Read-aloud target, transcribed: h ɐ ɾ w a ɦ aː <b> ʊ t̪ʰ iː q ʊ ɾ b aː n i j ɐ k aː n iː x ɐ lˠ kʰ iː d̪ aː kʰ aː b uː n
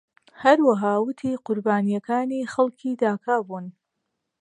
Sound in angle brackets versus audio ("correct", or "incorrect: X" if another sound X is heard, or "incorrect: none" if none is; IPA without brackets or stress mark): incorrect: w